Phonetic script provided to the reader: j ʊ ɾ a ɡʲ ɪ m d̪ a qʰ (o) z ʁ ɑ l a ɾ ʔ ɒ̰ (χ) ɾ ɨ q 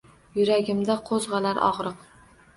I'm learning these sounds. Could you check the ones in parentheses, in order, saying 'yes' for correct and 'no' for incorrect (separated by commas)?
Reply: yes, no